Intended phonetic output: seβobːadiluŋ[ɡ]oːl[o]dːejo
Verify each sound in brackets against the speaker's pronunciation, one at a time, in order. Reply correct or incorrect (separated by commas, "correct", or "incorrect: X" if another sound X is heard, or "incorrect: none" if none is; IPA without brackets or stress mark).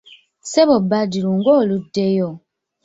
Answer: correct, incorrect: u